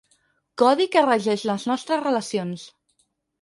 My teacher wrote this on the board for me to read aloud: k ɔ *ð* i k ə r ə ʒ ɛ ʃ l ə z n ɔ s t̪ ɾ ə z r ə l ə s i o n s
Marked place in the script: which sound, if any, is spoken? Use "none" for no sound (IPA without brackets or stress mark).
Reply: ð